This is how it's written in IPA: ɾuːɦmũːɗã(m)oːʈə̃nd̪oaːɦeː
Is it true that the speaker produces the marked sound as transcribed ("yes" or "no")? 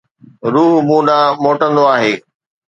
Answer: yes